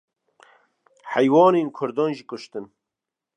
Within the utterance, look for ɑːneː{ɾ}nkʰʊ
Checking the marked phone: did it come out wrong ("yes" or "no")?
yes